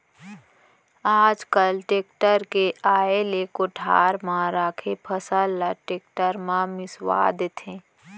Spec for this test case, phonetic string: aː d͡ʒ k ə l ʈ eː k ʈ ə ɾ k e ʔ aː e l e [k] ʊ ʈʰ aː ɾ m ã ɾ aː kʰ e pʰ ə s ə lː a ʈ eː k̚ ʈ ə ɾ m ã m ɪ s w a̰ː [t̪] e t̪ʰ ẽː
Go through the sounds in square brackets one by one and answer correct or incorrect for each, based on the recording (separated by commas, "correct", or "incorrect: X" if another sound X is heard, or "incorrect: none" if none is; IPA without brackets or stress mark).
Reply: correct, incorrect: d̪